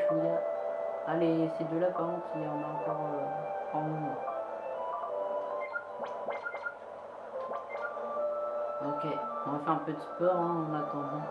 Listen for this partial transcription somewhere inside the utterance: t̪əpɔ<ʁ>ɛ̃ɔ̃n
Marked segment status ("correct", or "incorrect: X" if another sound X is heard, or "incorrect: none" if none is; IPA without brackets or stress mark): correct